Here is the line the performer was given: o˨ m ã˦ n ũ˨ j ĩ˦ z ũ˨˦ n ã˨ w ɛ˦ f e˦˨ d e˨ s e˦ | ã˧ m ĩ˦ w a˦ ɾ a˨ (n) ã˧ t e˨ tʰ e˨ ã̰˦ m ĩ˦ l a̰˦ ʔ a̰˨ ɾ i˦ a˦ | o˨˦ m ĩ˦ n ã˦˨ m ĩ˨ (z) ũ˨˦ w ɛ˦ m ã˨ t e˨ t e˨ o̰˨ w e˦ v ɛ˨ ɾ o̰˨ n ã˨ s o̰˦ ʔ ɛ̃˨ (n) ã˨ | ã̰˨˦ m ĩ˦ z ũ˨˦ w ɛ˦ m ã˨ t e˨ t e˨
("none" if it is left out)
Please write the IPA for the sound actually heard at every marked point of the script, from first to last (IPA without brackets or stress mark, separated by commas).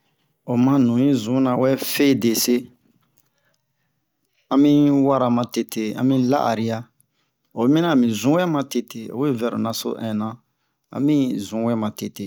m, z, n